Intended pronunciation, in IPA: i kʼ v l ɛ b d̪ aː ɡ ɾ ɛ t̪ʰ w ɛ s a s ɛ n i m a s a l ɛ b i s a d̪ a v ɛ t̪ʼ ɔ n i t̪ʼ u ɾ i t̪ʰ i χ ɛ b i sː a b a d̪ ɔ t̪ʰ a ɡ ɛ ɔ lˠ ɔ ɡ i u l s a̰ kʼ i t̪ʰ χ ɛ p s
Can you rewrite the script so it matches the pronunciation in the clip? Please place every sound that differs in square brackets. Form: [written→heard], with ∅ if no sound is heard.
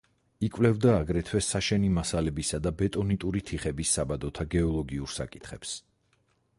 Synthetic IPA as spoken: i kʼ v l ɛ [b→v] d̪ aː ɡ ɾ ɛ t̪ʰ w ɛ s a [s→ʃ] ɛ n i m a s a l ɛ b i s a d̪ a [v→b] ɛ t̪ʼ ɔ n i t̪ʼ u ɾ i t̪ʰ i χ ɛ b i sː a b a d̪ ɔ t̪ʰ a ɡ ɛ ɔ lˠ ɔ ɡ i u [l→ɾ] s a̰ kʼ i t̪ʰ χ ɛ p s

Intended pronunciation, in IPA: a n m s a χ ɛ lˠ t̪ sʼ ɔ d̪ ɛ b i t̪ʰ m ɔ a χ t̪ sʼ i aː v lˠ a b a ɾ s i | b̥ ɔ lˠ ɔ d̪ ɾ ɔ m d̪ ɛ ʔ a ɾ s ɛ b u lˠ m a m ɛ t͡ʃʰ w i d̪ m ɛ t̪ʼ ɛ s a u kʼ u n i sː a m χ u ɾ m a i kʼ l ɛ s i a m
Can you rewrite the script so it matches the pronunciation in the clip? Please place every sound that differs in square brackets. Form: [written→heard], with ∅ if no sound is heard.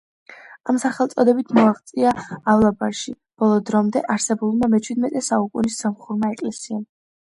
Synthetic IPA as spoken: a [n→∅] m s a χ ɛ lˠ t̪ sʼ ɔ d̪ ɛ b i t̪ʰ m ɔ a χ t̪ sʼ i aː v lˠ a b a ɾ [s→ʃ] i | b̥ ɔ lˠ ɔ d̪ ɾ ɔ m d̪ ɛ ʔ a ɾ s ɛ b u lˠ m a m ɛ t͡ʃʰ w i d̪ m ɛ t̪ʼ ɛ s a u kʼ u n i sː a m χ u ɾ m a [i→ɛ] kʼ l ɛ s i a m

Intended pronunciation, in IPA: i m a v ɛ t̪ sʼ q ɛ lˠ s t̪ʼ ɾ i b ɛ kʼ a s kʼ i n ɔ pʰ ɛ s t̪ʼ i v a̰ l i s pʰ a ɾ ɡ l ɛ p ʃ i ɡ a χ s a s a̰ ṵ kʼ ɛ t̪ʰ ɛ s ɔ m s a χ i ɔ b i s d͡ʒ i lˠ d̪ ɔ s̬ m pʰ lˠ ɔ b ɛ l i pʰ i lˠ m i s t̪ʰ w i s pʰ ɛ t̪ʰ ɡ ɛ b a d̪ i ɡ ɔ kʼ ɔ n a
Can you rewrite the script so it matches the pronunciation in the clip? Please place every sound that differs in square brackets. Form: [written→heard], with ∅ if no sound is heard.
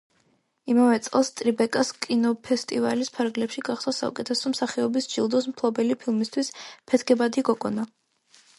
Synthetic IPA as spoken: i m a v ɛ t̪ sʼ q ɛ lˠ s t̪ʼ ɾ i b ɛ kʼ a s kʼ i n ɔ pʰ ɛ s t̪ʼ i v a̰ l i s pʰ a ɾ ɡ l ɛ p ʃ i ɡ a χ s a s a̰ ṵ kʼ ɛ t̪ʰ ɛ s ɔ m s a χ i ɔ b i s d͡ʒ i lˠ d̪ ɔ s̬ m pʰ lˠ ɔ b ɛ l i pʰ i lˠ m i s t̪ʰ w i s pʰ ɛ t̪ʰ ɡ ɛ b a d̪ i ɡ ɔ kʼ ɔ n a

